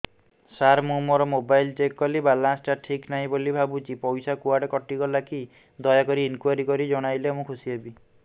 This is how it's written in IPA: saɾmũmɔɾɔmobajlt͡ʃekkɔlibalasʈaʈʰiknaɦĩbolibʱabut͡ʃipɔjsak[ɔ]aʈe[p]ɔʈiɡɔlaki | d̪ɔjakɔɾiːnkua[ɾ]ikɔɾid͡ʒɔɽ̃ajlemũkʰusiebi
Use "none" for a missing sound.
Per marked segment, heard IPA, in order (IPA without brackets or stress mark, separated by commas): u, k, ɾ